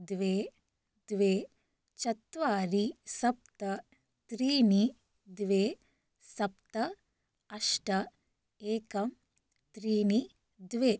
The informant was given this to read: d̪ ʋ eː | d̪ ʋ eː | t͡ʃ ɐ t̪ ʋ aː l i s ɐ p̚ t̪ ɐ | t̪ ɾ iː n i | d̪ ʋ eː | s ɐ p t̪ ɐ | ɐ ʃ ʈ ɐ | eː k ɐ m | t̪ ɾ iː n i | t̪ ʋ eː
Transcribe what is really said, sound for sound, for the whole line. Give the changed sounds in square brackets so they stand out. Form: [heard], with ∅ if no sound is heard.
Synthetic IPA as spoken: d̪ ʋ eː | d̪ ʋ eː | t͡ʃ ɐ t̪ ʋ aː [ɾ] i s ɐ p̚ t̪ ɐ | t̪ ɾ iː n i | d̪ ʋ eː | s ɐ p t̪ ɐ | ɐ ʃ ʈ ɐ | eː k ɐ m | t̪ ɾ iː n i | [d̪] ʋ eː